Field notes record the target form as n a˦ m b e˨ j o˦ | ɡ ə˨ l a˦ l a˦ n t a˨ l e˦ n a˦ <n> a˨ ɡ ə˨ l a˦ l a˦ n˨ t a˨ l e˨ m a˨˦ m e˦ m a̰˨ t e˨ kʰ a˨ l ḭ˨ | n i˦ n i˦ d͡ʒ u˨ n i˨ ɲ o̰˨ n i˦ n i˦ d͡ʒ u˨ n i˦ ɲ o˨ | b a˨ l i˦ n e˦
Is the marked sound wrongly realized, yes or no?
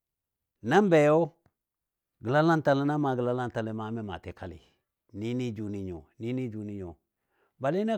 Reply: yes